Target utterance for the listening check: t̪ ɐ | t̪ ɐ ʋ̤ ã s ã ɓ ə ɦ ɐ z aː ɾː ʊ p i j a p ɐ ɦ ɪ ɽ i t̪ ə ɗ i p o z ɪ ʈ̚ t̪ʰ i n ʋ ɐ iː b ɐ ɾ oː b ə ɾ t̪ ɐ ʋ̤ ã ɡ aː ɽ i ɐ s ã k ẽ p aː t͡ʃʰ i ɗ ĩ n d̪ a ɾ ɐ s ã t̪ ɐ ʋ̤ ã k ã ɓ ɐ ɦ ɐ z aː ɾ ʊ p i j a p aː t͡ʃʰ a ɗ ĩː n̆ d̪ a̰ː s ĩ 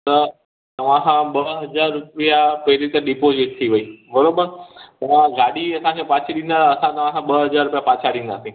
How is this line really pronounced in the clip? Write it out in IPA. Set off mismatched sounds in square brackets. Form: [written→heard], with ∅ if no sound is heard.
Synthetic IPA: t̪ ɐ | t̪ ɐ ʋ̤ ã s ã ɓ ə ɦ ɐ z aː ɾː ʊ p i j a p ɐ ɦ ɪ [ɽ→ɾ] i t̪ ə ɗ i p o z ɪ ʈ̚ t̪ʰ i [n→∅] ʋ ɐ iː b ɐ ɾ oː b ə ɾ t̪ ɐ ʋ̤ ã ɡ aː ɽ i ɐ s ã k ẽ p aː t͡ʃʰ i ɗ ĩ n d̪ a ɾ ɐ s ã t̪ ɐ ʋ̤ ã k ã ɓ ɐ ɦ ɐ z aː ɾ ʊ p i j a p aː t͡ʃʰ a ɗ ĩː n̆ d̪ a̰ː s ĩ